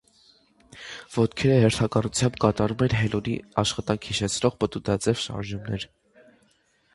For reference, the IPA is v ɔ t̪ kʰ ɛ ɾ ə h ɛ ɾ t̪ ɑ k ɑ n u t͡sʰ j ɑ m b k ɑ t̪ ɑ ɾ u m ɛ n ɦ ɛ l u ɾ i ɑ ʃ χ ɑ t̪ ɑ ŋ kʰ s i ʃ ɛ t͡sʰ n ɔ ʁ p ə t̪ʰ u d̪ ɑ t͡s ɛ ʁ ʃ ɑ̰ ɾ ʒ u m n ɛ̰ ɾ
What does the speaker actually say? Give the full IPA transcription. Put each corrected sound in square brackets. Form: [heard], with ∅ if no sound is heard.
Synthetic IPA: v ɔ t̪ kʰ ɛ ɾ ə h ɛ ɾ [t̪ʰ] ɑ k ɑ n u t͡sʰ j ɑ m b k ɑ t̪ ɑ ɾ u m ɛ n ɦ ɛ l u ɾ i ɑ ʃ χ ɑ t̪ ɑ ŋ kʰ [h] i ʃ ɛ t͡sʰ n ɔ ʁ p ə [t̪] u d̪ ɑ t͡s ɛ [v] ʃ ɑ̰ ɾ ʒ u m n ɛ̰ ɾ